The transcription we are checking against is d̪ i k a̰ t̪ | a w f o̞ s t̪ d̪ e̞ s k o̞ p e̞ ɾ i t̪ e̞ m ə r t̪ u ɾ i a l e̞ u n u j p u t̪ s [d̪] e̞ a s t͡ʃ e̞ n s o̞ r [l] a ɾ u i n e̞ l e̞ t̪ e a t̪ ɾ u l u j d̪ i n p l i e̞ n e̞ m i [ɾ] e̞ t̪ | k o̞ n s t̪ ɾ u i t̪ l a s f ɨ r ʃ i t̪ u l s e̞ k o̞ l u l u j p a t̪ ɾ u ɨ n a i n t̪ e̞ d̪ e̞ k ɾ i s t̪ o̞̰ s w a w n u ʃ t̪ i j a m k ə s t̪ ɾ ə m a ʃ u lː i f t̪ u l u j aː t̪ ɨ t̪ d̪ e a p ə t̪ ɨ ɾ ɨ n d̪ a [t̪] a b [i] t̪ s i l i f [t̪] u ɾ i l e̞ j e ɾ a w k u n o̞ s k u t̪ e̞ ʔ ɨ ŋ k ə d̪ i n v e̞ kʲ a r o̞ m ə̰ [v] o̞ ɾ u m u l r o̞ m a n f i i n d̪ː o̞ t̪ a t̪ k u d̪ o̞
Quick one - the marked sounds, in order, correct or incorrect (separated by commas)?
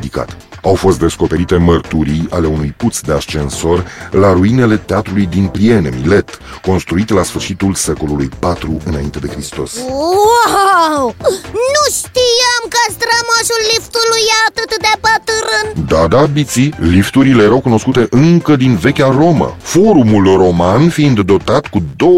correct, correct, incorrect, incorrect, correct, correct, incorrect